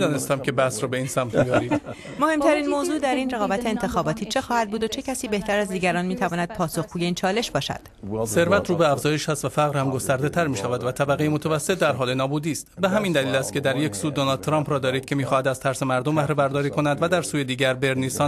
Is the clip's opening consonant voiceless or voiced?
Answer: voiced